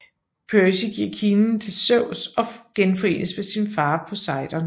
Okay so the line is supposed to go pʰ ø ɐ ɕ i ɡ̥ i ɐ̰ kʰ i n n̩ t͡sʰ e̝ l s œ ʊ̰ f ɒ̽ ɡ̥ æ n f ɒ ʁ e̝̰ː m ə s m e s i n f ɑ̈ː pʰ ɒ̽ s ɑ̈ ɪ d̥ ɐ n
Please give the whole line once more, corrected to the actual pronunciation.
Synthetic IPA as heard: pʰ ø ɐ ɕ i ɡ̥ i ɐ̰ kʰ i n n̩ t͡sʰ e̝ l s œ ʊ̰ s ɒ̽ ɡ̥ e n f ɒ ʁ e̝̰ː n ə s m e s i n f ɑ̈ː pʰ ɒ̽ s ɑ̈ ɪ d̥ ɐ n